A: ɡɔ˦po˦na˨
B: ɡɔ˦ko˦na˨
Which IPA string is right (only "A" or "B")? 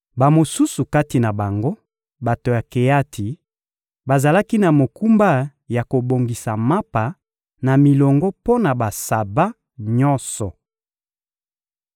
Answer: A